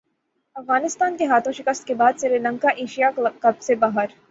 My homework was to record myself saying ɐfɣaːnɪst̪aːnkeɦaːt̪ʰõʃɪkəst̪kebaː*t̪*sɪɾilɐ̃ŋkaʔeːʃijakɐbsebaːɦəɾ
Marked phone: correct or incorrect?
incorrect